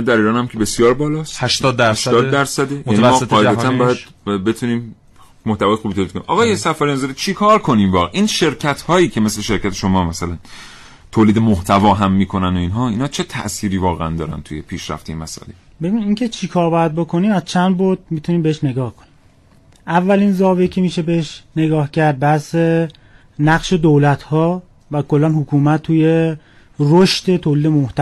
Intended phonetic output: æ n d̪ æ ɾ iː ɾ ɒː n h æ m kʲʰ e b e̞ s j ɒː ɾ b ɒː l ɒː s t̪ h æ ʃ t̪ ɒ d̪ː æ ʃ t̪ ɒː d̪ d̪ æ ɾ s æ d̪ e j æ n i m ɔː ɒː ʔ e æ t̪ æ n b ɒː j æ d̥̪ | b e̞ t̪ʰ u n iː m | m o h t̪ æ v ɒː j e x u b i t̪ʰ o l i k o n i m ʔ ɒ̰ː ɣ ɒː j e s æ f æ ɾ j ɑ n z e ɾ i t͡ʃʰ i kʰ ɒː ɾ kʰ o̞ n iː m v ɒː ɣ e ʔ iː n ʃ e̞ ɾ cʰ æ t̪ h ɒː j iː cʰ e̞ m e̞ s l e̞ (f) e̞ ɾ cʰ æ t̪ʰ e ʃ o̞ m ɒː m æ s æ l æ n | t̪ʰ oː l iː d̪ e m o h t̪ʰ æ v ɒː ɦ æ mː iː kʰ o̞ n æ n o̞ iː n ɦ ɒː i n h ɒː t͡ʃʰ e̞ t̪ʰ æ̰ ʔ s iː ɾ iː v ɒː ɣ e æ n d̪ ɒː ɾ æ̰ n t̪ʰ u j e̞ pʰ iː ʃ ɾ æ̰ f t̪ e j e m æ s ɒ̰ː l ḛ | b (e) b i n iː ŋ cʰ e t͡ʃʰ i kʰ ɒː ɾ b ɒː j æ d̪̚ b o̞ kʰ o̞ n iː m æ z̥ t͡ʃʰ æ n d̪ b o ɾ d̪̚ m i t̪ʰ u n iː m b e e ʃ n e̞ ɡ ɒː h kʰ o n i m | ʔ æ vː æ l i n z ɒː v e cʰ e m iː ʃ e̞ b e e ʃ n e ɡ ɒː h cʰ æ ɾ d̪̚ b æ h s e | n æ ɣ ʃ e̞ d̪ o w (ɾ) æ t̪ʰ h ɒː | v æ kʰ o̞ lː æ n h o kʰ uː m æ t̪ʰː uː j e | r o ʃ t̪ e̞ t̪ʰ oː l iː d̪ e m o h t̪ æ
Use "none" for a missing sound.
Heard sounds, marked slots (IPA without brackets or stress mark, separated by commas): ʃ, e, l